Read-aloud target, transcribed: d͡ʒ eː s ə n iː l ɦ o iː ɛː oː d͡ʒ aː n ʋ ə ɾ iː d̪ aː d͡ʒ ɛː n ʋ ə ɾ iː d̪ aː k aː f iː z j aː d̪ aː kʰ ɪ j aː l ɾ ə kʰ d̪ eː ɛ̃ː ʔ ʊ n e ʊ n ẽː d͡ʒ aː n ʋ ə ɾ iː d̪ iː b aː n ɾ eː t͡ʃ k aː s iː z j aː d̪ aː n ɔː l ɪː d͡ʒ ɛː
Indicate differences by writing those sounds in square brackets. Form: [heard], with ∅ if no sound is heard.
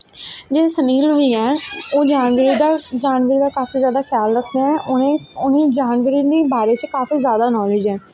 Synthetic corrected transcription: d͡ʒ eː s ə n iː l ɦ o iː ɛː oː d͡ʒ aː n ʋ ə ɾ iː d̪ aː d͡ʒ [aː] n ʋ ə ɾ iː d̪ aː k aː f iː z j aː d̪ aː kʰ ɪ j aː l ɾ ə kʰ d̪ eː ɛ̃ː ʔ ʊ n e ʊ n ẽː d͡ʒ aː n ʋ ə ɾ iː d̪ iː b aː [∅] ɾ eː t͡ʃ k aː [f] iː z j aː d̪ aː n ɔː l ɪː d͡ʒ ɛː